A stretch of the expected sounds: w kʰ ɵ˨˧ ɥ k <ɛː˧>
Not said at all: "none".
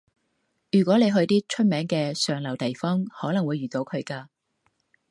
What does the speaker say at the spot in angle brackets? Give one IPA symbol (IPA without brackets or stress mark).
aː˧